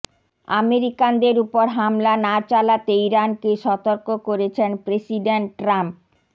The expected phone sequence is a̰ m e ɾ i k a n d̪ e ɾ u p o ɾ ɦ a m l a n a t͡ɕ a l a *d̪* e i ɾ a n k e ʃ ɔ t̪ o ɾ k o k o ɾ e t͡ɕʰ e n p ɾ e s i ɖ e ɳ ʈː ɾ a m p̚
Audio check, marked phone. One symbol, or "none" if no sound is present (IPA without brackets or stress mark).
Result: t̪